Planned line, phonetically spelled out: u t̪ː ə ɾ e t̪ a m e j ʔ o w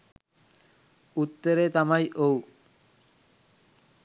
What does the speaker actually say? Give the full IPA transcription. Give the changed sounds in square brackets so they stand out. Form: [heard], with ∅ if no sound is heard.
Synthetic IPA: u t̪ː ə ɾ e t̪ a m [a] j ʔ o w